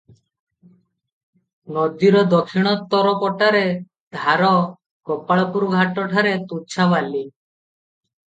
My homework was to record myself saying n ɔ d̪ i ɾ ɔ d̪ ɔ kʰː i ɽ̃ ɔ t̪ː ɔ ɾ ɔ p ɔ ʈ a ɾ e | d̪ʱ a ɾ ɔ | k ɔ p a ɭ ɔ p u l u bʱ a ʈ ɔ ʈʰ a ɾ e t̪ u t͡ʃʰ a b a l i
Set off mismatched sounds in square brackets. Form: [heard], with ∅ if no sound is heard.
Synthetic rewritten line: n ɔ d̪ i ɾ ɔ d̪ ɔ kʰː i ɽ̃ ɔ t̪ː ɔ ɾ ɔ p ɔ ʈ a ɾ e | d̪ʱ a ɾ ɔ | k ɔ p a ɭ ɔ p u [ɾ] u [ɡʱ] a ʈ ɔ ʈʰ a ɾ e t̪ u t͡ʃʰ a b a l i